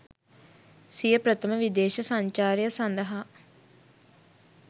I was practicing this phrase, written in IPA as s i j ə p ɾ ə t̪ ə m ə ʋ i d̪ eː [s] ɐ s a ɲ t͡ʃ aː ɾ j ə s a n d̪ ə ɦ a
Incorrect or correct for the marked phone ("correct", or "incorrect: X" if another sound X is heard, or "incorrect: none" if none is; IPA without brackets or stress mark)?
incorrect: ʃ